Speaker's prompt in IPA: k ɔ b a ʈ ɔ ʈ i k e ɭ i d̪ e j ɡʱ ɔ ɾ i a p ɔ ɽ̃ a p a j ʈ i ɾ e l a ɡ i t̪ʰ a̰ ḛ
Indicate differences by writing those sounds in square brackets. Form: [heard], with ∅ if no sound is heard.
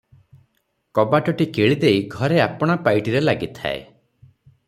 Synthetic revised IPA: k ɔ b a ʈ ɔ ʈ i k e ɭ i d̪ e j ɡʱ ɔ ɾ [e] a p ɔ ɽ̃ a p a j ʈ i ɾ e l a ɡ i t̪ʰ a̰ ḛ